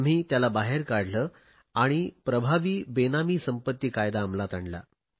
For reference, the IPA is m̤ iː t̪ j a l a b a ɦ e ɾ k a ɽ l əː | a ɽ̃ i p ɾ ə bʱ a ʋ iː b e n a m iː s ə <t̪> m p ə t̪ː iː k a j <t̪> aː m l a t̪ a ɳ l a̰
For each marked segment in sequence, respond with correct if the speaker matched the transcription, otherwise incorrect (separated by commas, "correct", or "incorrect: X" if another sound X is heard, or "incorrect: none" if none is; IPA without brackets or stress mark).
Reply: incorrect: none, incorrect: d̪